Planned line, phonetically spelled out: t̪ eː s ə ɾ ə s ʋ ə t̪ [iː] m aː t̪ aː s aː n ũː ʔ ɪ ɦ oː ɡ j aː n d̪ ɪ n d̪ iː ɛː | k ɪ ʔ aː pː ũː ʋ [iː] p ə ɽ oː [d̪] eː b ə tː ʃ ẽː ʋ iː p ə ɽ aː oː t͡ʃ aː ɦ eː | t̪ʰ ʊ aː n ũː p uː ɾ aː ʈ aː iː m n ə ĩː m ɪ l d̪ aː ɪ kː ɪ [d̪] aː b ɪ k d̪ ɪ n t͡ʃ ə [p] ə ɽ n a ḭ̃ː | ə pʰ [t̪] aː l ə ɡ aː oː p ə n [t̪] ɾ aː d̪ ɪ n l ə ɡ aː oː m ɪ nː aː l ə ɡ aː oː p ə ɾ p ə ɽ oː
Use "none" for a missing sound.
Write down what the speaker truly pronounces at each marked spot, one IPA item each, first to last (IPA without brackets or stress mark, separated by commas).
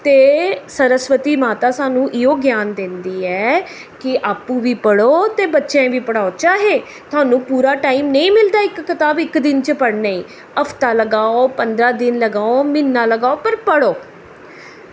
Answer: iː, iː, t̪, t̪, p, t̪, d̪